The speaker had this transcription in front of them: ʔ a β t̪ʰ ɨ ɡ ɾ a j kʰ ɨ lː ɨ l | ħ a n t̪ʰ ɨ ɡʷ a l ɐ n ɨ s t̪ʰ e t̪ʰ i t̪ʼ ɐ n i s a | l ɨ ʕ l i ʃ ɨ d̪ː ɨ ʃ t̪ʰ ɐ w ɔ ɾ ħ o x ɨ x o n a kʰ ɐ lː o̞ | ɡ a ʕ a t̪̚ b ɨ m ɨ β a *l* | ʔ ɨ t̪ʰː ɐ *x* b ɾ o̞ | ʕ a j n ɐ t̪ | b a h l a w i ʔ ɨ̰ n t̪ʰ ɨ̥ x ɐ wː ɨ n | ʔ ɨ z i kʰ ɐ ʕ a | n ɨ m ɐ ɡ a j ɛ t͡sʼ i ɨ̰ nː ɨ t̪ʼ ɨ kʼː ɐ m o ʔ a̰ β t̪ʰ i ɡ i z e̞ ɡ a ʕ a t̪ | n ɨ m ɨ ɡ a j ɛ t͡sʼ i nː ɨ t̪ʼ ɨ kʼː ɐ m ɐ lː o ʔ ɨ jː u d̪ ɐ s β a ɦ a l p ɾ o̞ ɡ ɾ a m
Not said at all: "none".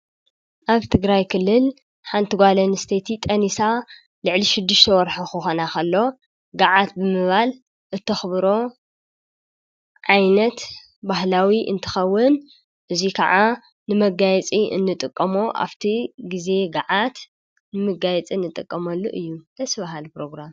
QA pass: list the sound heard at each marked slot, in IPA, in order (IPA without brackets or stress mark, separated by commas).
l, x